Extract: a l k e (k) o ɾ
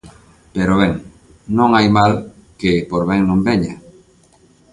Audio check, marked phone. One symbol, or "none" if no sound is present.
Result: p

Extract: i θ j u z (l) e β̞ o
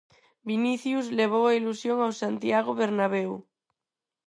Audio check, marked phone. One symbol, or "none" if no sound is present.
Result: l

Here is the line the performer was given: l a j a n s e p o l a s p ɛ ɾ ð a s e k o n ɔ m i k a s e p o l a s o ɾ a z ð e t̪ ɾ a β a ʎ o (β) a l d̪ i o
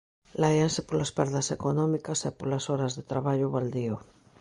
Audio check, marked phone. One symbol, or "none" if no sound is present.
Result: β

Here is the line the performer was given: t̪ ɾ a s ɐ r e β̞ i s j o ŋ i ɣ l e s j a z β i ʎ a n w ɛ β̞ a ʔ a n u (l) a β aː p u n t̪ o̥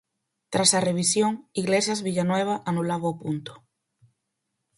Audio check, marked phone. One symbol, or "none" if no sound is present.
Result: l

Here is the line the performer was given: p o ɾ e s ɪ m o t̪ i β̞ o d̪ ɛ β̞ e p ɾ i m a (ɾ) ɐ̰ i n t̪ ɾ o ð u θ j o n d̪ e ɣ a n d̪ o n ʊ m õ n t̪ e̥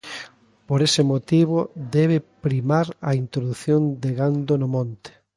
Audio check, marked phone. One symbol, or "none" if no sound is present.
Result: ɾ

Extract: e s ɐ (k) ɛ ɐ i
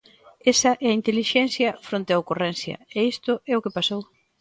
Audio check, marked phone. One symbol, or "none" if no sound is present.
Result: ʔ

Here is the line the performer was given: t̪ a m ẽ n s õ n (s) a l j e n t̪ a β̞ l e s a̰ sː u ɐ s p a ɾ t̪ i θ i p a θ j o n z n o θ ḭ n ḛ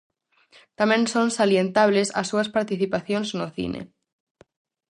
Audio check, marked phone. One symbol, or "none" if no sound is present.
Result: s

